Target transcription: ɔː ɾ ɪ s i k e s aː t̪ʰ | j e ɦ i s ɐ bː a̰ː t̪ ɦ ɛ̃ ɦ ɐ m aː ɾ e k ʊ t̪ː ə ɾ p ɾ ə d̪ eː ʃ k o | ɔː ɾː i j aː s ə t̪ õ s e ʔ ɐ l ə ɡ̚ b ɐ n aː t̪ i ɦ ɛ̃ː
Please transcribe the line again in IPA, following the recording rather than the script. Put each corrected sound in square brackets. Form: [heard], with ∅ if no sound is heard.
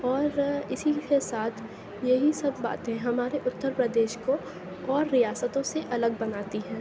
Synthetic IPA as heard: ɔː ɾ ɪ s i k e s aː t̪ʰ | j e ɦ i s ɐ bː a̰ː t̪ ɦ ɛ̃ ɦ ɐ m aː ɾ e [ʔ] ʊ t̪ː ə ɾ p ɾ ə d̪ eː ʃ k o | ɔː ɾː i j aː s ə t̪ õ s e ʔ ɐ l ə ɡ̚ b ɐ n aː t̪ i ɦ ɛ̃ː